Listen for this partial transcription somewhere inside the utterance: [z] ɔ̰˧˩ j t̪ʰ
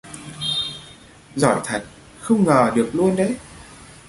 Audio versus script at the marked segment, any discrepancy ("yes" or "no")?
no